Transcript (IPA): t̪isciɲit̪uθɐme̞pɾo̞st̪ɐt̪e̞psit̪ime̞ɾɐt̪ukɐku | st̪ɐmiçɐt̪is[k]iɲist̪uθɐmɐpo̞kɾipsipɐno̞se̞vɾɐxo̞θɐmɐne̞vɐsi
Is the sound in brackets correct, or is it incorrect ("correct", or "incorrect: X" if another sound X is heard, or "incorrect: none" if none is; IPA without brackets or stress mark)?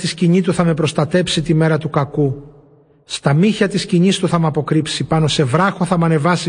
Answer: incorrect: c